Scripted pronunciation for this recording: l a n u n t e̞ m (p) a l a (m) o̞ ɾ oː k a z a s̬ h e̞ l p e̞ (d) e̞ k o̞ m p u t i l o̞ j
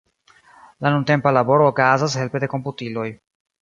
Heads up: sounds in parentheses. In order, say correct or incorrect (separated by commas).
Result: correct, incorrect, correct